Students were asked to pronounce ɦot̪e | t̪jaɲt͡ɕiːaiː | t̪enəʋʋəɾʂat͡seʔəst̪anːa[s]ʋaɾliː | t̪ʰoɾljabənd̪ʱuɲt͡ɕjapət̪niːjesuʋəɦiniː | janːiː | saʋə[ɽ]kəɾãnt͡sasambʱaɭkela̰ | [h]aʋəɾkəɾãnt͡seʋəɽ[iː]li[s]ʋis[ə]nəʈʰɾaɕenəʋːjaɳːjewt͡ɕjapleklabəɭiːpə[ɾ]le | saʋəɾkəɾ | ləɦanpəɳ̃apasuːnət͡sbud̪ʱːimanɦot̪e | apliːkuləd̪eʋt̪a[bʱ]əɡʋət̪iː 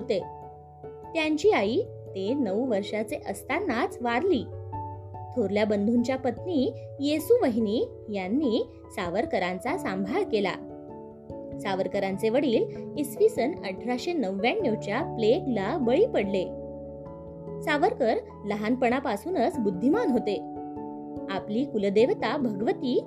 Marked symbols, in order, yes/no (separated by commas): no, no, no, yes, yes, yes, no, yes